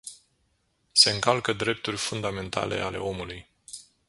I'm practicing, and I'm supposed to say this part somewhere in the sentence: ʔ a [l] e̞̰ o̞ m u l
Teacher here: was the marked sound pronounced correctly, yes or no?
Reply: yes